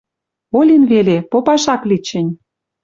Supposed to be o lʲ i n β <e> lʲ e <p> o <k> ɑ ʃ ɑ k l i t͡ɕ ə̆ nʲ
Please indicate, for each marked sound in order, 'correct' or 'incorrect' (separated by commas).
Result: correct, correct, incorrect